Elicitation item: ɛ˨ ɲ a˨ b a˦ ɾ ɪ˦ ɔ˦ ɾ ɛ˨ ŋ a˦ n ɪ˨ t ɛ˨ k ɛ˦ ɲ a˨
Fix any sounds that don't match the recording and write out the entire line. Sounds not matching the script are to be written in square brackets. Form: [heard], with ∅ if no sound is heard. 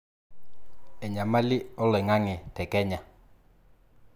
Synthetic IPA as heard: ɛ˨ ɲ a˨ [m] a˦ [l] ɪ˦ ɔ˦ [l] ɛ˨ ŋ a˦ [ŋ] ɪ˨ t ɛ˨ k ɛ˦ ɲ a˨